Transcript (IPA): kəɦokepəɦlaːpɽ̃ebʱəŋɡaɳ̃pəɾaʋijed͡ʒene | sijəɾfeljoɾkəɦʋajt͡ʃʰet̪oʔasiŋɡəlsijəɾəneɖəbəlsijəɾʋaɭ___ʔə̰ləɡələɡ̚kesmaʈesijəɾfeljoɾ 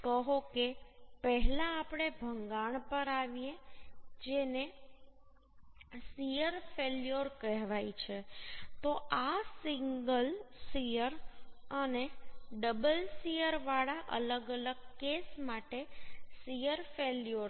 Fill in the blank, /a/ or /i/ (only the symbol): a